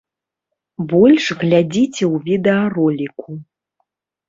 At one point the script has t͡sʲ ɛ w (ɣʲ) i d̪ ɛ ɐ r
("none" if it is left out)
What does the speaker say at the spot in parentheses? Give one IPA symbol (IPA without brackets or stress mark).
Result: vʲ